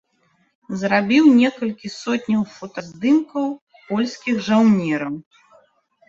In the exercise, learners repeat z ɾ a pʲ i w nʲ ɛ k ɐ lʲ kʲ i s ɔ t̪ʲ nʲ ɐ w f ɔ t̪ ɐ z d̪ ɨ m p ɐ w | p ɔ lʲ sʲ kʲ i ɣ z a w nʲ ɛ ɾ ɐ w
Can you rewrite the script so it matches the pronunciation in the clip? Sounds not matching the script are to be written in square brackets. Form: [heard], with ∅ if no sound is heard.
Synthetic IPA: z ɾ a [bʲ] i w nʲ ɛ k ɐ lʲ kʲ i s ɔ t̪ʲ nʲ ɐ w f ɔ t̪ ɐ z d̪ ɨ m [k] ɐ w | p ɔ lʲ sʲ kʲ i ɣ [ʐ] a w nʲ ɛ ɾ ɐ w

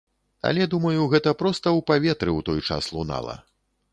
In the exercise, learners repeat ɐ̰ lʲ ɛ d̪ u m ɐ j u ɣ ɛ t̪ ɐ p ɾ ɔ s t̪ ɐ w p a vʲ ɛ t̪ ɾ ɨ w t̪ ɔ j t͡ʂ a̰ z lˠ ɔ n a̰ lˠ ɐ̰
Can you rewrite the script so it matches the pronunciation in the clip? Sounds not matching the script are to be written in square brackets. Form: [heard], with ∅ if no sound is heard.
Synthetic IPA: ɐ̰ lʲ ɛ d̪ u m ɐ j u ɣ ɛ t̪ ɐ p ɾ ɔ s t̪ ɐ w p a vʲ ɛ t̪ ɾ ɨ w t̪ ɔ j t͡ʂ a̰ [s] lˠ [u] n a̰ lˠ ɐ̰

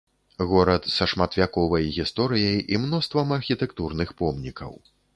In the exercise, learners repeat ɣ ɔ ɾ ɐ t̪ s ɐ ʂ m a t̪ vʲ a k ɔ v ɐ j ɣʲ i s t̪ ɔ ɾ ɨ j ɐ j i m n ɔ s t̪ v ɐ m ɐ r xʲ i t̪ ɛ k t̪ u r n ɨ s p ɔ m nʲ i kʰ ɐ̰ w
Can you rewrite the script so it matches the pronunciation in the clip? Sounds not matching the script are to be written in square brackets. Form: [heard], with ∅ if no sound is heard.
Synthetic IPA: ɣ ɔ ɾ ɐ t̪ s ɐ ʂ m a t̪ vʲ a k ɔ v ɐ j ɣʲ i s t̪ ɔ ɾ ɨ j ɐ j i m n ɔ s t̪ v ɐ m ɐ r xʲ i t̪ ɛ k t̪ u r n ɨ [x] p ɔ m nʲ i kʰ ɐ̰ w

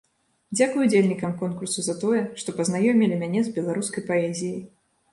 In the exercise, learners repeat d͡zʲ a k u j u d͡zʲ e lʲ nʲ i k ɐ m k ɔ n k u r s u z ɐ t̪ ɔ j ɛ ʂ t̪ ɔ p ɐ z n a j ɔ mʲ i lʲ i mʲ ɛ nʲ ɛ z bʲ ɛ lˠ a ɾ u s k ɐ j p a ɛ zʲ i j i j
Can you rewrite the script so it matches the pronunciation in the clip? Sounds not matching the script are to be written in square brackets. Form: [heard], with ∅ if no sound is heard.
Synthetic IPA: d͡zʲ a k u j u d͡zʲ e lʲ nʲ i k ɐ m k ɔ n k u r s u z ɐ t̪ ɔ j ɛ ʂ t̪ ɔ p ɐ z n a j ɔ mʲ i lʲ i mʲ [a] nʲ ɛ z bʲ ɛ lˠ a ɾ u s k ɐ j p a ɛ zʲ i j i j

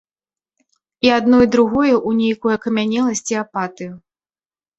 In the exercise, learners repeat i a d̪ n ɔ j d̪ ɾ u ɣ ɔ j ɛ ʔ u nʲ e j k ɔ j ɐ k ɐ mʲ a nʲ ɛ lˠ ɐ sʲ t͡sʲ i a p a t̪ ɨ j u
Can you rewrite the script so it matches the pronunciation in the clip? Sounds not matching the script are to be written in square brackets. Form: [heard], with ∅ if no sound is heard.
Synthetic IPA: i a d̪ n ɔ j d̪ ɾ u ɣ ɔ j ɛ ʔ u nʲ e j k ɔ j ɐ k ɐ mʲ a nʲ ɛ lˠ ɐ sʲ t͡sʲ i a p a t̪ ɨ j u

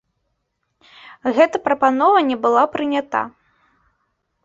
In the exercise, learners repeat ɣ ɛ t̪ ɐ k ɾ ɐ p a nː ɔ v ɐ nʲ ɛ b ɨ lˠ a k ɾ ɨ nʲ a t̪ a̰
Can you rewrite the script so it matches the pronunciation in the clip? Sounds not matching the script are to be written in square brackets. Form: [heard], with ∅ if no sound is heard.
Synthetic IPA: ɣ ɛ t̪ ɐ [p] ɾ ɐ p a [n] ɔ v ɐ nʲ ɛ b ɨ lˠ a [p] ɾ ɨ nʲ a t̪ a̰

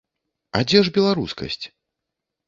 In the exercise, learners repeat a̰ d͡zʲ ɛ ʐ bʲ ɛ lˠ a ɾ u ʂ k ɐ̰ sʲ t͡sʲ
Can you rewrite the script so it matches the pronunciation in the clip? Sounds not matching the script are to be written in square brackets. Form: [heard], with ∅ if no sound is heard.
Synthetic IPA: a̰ d͡zʲ ɛ ʐ bʲ ɛ lˠ a ɾ u [s] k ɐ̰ sʲ t͡sʲ

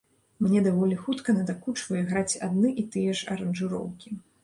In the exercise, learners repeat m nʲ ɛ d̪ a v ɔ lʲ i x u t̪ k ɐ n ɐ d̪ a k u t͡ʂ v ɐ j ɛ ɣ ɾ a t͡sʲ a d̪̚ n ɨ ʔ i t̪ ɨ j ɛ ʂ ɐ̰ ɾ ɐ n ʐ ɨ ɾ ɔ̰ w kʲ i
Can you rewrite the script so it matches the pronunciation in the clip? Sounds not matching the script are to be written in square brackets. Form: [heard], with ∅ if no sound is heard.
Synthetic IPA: m nʲ ɛ d̪ a v ɔ lʲ i x u t̪ k ɐ n ɐ d̪ a k u t͡ʂ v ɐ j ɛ ɣ ɾ a t͡sʲ a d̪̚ n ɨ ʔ i t̪ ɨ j ɛ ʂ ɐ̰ ɾ ɐ n ʐ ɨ ɾ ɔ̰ w kʲ i

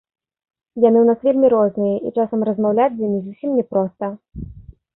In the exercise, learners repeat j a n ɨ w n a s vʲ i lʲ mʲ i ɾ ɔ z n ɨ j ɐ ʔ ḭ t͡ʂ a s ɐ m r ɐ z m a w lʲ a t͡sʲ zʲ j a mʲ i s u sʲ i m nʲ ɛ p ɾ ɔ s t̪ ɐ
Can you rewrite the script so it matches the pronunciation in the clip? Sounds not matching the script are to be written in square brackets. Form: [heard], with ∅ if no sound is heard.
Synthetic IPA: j a n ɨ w n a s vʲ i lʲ mʲ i ɾ ɔ z n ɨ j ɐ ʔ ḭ t͡ʂ a s ɐ m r ɐ z m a w lʲ a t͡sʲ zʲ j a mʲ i [z] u sʲ i m nʲ ɛ p ɾ ɔ s t̪ ɐ

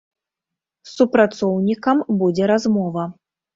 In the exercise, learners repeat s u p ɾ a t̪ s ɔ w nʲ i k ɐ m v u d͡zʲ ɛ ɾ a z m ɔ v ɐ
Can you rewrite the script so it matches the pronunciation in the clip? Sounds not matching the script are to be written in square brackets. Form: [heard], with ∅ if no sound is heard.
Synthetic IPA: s u p ɾ a t̪ s ɔ w nʲ i k ɐ m [b] u d͡zʲ ɛ ɾ a z m ɔ v ɐ

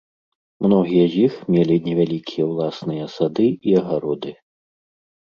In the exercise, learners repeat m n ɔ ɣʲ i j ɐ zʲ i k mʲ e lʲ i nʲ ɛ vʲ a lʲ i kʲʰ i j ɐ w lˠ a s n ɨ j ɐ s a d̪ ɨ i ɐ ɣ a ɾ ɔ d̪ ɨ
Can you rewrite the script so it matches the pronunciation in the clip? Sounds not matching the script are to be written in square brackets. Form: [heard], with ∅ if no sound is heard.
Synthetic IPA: m n ɔ ɣʲ i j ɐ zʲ i [x] mʲ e lʲ i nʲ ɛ vʲ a lʲ i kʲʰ i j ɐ w lˠ a s n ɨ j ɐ s a d̪ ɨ i ɐ ɣ a ɾ ɔ d̪ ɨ

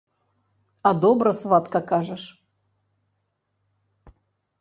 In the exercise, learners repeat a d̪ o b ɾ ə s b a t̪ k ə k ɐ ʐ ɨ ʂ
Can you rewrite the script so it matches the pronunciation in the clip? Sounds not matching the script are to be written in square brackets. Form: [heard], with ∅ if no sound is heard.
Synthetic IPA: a d̪ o b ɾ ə s [v] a t̪ k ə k [a] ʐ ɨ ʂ

